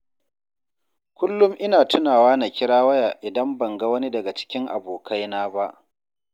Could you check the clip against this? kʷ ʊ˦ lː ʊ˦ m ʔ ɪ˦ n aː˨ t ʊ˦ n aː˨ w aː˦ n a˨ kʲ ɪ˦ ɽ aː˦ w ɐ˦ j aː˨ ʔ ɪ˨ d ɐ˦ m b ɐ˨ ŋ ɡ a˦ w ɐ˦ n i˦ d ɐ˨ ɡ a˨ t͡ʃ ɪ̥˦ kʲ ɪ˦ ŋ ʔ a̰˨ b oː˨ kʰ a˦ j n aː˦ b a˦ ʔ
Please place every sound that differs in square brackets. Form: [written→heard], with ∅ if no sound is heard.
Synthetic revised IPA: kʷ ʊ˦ lː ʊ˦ m ʔ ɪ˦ n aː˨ t ʊ˦ n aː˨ w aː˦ n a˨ kʲ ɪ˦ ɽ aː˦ w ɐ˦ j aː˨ ʔ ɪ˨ d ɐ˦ m b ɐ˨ ŋ ɡ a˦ w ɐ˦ n i˦ d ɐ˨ ɡ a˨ t͡ʃ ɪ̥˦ kʲ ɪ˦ ŋ ʔ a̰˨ b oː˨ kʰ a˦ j n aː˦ b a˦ ʔ